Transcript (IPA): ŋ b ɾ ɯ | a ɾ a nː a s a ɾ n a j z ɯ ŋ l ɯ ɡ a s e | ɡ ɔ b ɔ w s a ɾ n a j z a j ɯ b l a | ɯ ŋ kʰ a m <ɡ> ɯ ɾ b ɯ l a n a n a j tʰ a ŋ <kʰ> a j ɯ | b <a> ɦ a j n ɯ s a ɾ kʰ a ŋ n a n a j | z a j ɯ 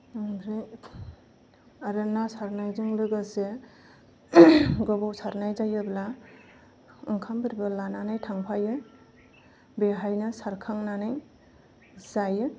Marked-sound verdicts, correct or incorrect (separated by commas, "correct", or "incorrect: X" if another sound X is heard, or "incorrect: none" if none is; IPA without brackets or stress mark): incorrect: b, incorrect: pʰ, incorrect: e